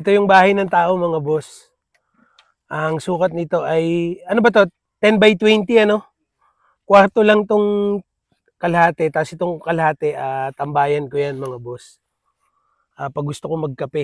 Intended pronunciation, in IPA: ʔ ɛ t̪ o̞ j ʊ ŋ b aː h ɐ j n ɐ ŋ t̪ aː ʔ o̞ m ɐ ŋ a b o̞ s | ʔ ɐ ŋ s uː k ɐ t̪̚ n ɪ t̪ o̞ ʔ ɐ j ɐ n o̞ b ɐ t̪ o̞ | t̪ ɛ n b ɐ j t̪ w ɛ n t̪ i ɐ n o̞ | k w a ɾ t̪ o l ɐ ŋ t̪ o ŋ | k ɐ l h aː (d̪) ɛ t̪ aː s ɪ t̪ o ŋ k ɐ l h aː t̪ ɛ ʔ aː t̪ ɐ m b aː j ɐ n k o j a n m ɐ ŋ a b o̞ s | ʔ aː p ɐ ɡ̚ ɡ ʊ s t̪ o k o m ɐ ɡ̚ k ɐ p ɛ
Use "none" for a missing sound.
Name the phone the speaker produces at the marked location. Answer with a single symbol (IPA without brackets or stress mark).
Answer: t̪